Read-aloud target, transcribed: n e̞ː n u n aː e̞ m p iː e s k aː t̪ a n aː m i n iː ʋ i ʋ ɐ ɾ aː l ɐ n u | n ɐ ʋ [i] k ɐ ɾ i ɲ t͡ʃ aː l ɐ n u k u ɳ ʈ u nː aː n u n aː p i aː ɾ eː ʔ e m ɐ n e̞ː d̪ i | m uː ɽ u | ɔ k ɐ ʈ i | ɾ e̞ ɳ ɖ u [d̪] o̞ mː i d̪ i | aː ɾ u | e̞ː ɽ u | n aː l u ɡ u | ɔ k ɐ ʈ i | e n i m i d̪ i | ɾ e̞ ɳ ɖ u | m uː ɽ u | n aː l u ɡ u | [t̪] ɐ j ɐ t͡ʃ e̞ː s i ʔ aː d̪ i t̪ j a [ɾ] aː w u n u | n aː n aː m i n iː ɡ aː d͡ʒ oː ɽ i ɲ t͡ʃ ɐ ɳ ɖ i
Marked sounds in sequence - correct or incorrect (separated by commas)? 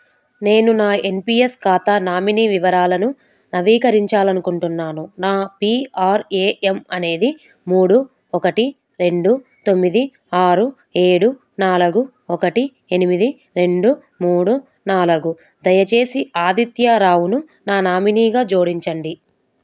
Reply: incorrect, incorrect, incorrect, correct